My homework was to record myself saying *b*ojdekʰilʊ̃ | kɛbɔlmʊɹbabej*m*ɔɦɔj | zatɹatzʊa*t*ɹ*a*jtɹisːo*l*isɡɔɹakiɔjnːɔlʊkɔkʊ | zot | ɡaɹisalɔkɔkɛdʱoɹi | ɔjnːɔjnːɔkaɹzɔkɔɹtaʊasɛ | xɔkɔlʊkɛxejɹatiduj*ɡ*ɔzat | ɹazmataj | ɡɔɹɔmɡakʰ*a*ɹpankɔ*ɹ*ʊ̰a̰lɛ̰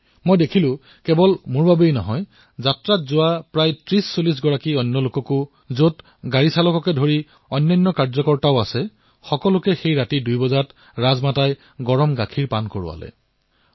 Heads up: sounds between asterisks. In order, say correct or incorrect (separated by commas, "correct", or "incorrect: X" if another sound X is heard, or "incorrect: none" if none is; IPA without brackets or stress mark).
incorrect: m, incorrect: n, incorrect: p, correct, correct, incorrect: b, incorrect: i, correct